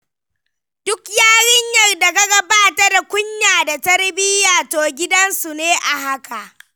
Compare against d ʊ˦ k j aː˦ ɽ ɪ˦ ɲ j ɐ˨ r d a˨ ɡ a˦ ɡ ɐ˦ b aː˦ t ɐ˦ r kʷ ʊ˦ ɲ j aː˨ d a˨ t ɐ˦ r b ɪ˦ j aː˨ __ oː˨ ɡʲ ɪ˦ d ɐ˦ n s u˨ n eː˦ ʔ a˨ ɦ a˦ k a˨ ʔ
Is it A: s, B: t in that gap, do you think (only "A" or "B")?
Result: B